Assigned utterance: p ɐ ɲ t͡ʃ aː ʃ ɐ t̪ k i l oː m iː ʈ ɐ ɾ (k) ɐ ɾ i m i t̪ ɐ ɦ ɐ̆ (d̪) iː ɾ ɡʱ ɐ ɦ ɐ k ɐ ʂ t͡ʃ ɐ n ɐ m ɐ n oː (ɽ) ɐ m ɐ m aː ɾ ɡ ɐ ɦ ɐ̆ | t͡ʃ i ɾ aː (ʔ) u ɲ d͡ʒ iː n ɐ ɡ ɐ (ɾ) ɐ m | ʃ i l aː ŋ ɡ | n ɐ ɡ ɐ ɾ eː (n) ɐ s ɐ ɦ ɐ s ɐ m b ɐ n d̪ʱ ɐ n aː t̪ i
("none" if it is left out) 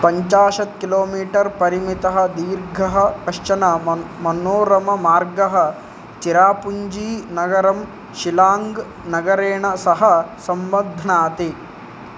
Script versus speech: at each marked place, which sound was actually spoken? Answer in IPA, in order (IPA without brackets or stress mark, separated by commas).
p, d̪, ɾ, p, ɾ, ɳ